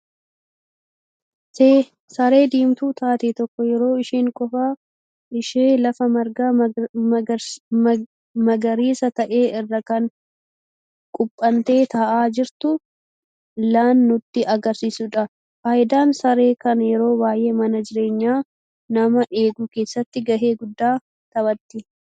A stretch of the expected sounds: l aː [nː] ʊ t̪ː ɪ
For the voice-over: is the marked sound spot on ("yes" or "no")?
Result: yes